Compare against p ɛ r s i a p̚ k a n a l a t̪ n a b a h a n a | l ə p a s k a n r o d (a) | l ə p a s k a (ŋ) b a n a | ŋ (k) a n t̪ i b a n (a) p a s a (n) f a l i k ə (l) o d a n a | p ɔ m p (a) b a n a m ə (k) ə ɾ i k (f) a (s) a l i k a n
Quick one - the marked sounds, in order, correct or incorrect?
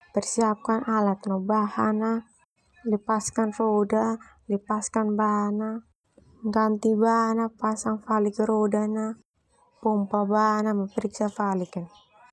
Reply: correct, incorrect: n, incorrect: ɡ, correct, incorrect: ŋ, incorrect: ɾ, correct, incorrect: p, incorrect: s, incorrect: f

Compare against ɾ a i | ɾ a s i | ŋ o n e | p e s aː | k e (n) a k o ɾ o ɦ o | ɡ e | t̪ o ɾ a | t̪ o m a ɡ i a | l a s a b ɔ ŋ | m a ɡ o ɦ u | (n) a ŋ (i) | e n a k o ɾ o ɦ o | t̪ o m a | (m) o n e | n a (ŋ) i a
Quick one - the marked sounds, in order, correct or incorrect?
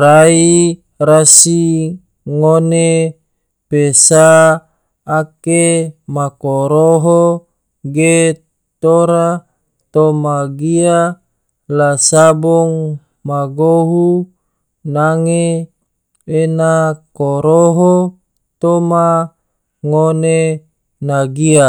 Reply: incorrect: m, correct, incorrect: e, incorrect: ŋ, incorrect: ɡ

